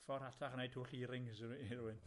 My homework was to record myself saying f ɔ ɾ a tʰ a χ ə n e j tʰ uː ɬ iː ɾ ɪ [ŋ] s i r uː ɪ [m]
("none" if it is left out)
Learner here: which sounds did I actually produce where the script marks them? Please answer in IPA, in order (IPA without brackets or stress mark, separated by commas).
ŋ, n